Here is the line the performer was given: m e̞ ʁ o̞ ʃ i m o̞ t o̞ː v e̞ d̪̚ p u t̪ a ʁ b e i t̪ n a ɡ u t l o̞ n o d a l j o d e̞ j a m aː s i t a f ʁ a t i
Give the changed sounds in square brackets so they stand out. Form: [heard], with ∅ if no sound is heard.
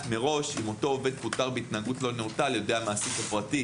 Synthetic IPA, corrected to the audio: m e̞ ʁ o̞ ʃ i m o̞ t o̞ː v e̞ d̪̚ p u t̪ a ʁ b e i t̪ n a ɡ u t l o̞ n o [t] a l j o d e̞ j a m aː s i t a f ʁ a t i